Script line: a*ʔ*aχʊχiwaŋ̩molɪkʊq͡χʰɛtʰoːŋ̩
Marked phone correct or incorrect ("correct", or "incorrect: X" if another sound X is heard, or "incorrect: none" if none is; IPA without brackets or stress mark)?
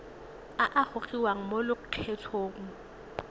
correct